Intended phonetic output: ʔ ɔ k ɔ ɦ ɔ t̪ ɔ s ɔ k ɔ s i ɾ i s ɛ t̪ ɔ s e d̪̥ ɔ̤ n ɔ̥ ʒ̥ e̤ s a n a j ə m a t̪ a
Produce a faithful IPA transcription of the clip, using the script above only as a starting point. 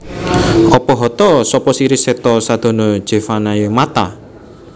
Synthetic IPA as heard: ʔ ɔ p ɔ ɦ ɔ t̪ ɔ s ɔ p ɔ s i ɾ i s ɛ t̪ ɔ s a d̪̥ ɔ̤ n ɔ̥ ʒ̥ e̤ f a n a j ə m a t̪ a